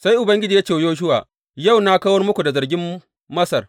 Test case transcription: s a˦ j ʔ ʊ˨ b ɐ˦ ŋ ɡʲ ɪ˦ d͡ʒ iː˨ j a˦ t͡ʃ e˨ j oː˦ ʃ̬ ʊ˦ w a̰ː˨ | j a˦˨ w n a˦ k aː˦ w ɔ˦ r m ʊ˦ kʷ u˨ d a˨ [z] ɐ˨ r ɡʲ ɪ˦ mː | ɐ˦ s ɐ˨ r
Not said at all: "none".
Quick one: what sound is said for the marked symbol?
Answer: z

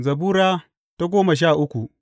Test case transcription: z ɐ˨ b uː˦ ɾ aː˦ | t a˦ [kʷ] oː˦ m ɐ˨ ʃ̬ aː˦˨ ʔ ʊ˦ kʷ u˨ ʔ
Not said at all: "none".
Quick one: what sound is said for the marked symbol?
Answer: ɡʷ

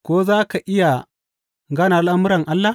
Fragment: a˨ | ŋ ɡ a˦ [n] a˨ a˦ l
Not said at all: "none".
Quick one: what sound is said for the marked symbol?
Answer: n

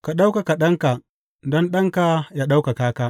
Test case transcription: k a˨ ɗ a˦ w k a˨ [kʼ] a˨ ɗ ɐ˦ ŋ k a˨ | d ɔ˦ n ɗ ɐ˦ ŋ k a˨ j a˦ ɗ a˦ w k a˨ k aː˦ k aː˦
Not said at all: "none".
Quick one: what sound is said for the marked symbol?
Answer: k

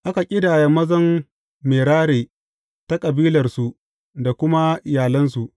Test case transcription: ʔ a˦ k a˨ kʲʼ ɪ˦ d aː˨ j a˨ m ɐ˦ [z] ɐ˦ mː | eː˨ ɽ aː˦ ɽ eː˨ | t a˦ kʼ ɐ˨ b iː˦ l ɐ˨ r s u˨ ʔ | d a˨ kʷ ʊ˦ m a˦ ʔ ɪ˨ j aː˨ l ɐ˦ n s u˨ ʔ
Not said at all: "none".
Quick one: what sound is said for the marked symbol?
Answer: z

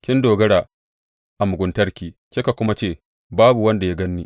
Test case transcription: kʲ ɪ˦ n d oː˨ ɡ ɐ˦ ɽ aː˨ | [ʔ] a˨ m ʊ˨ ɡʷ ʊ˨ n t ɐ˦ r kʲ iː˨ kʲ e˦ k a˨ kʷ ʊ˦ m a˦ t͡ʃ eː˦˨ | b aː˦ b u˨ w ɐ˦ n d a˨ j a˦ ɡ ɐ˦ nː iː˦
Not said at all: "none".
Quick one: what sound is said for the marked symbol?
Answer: ʔ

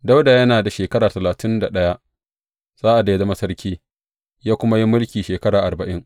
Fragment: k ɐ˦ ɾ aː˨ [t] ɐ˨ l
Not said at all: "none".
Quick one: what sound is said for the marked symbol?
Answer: t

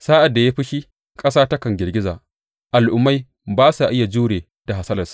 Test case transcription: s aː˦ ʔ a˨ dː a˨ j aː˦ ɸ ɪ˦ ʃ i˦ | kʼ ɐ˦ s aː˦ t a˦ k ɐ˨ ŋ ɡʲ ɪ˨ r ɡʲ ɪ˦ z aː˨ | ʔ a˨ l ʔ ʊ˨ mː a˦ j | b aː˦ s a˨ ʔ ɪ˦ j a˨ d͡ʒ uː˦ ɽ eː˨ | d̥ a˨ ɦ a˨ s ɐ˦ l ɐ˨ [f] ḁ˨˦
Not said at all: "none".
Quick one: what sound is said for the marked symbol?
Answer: s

